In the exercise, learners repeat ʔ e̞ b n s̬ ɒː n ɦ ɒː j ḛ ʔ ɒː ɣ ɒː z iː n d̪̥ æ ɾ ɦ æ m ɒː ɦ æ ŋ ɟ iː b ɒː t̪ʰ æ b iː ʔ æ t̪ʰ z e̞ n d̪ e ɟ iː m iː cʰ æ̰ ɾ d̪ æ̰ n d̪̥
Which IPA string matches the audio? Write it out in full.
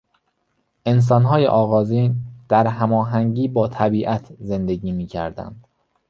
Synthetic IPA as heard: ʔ e̞ n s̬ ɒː n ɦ ɒː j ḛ ʔ ɒː ɣ ɒː z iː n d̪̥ æ ɾ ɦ æ m ɒː ɦ æ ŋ ɟ iː b ɒː t̪ʰ æ b iː ʔ æ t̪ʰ z e̞ n d̪ e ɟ iː m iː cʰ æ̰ ɾ d̪ æ̰ n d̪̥